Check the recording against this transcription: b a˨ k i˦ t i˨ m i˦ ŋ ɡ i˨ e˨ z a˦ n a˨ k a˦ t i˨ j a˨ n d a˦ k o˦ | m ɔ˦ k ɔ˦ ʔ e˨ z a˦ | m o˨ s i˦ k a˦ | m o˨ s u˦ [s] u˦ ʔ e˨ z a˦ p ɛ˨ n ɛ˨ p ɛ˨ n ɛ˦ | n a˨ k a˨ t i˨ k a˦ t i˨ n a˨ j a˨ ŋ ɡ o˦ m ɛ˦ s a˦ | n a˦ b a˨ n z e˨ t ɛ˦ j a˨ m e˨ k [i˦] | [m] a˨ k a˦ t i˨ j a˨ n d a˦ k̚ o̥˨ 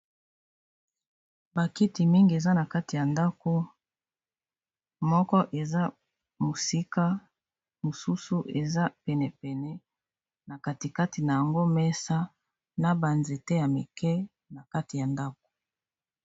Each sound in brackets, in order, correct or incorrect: correct, incorrect, incorrect

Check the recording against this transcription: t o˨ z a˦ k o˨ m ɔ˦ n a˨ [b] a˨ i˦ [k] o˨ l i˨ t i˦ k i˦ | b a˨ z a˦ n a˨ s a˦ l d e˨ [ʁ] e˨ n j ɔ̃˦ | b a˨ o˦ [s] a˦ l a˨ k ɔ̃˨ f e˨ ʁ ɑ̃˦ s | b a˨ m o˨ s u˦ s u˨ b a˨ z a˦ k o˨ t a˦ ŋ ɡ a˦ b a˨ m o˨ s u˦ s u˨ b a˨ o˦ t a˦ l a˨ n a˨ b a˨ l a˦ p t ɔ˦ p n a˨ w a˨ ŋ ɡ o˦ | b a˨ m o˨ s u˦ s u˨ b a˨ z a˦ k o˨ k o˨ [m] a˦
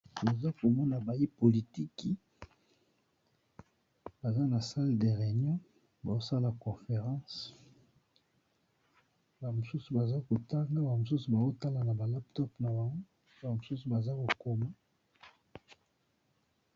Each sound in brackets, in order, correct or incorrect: correct, incorrect, correct, correct, correct

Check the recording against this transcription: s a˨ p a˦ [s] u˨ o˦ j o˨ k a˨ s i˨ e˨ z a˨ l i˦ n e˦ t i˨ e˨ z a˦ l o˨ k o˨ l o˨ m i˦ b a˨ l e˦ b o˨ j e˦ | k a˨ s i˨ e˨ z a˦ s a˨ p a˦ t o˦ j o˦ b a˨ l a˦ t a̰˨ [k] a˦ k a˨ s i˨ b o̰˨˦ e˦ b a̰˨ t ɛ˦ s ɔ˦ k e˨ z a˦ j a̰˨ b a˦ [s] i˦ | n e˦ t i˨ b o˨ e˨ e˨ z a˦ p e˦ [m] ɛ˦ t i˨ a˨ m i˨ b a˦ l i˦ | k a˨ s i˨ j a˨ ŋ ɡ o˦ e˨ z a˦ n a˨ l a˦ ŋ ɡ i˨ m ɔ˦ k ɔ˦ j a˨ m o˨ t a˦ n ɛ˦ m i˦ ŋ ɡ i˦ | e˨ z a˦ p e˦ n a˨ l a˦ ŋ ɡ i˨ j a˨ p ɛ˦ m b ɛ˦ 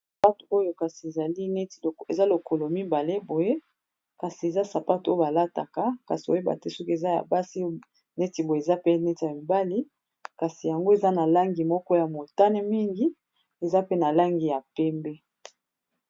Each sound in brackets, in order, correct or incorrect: incorrect, correct, correct, incorrect

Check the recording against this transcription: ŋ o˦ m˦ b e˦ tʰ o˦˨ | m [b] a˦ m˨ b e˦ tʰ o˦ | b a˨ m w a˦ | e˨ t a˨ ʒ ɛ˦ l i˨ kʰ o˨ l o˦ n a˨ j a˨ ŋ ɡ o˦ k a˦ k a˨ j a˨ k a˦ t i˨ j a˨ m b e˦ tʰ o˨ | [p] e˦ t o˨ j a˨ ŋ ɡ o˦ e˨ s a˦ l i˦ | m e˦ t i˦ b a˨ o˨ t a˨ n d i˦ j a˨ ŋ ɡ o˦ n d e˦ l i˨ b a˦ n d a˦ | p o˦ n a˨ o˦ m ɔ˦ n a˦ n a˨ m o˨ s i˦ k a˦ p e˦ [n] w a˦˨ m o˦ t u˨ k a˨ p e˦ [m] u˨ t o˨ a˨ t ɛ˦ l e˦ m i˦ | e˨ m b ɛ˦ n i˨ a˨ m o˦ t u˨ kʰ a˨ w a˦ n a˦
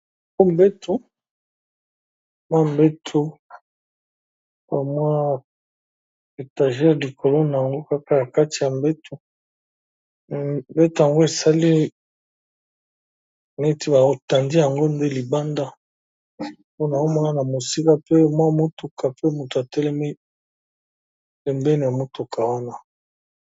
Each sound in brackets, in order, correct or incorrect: incorrect, incorrect, incorrect, correct

